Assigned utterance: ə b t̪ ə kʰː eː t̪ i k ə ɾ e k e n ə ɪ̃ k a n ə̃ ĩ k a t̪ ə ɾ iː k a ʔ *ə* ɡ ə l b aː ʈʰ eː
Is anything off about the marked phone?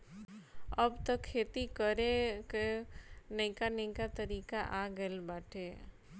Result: yes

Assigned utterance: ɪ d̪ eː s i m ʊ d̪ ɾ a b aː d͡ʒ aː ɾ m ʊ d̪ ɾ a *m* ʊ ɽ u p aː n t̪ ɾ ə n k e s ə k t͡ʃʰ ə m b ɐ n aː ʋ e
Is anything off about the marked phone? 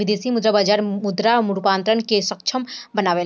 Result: no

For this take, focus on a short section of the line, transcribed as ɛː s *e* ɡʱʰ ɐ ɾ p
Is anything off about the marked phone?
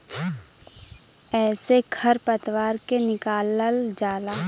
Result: no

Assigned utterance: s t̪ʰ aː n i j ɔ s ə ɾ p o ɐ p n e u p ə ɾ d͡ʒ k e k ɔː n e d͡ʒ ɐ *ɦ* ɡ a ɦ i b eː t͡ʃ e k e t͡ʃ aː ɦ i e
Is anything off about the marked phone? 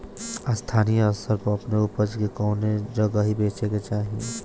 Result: yes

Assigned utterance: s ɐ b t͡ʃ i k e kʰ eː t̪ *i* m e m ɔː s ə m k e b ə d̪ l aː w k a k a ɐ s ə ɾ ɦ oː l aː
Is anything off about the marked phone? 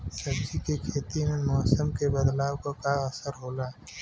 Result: no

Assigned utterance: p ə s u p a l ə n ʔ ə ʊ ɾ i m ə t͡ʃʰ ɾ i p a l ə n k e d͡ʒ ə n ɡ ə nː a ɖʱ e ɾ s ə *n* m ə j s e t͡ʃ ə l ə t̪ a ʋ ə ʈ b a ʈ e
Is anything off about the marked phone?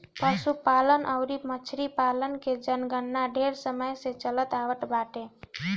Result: yes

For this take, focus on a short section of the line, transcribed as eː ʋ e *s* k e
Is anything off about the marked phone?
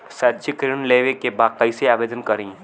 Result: yes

